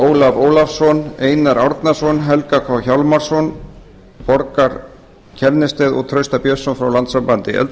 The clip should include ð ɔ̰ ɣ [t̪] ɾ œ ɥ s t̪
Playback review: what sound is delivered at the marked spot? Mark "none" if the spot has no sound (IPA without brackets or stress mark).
t̪ʰ